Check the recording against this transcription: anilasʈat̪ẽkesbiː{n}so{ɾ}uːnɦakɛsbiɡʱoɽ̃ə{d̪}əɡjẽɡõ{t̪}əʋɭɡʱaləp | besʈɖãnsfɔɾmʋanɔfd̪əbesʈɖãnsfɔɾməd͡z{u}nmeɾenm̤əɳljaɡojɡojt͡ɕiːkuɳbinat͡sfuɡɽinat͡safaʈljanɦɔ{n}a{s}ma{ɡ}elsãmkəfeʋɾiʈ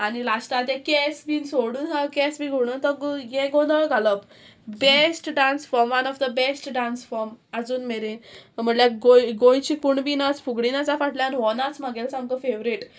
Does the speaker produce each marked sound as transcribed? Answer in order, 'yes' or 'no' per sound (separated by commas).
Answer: yes, no, no, no, no, yes, no, yes